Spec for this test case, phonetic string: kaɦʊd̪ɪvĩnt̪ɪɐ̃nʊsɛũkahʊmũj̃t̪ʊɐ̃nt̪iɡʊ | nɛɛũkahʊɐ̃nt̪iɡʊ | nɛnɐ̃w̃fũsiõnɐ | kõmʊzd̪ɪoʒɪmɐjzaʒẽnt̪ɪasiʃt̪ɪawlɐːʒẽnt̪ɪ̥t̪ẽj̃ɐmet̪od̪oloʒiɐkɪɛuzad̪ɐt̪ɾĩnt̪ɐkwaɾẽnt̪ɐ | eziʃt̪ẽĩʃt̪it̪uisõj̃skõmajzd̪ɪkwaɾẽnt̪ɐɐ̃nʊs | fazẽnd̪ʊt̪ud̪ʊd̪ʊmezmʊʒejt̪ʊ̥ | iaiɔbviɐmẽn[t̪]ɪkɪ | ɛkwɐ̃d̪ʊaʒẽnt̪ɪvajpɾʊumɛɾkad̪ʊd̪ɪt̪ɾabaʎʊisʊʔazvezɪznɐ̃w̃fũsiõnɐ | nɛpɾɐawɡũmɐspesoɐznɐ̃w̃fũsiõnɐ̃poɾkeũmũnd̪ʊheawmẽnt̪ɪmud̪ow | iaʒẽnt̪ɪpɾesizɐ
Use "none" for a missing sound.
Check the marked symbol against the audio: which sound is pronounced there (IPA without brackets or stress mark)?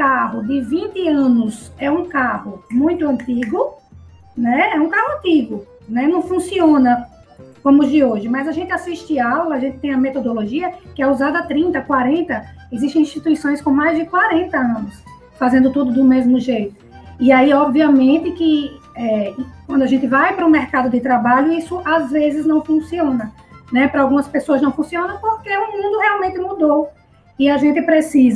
t̪